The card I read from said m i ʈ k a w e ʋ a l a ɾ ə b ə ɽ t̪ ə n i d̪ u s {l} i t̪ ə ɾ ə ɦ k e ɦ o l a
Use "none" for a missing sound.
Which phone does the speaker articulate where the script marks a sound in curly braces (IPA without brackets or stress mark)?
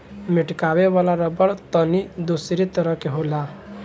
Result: ɾ